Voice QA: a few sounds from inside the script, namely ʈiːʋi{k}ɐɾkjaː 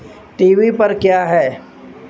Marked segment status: incorrect: p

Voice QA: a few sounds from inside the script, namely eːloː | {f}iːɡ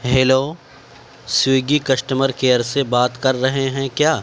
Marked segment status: incorrect: s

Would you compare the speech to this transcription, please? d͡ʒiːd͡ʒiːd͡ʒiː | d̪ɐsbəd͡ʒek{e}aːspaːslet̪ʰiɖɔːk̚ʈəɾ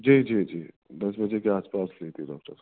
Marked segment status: correct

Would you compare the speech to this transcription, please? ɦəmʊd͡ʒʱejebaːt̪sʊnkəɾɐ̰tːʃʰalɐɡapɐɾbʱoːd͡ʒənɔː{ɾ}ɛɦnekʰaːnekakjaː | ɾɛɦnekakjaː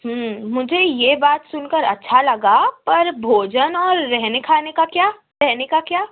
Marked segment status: incorrect: ɾː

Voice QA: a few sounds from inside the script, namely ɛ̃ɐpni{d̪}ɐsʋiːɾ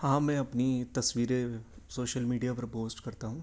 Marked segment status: incorrect: t̪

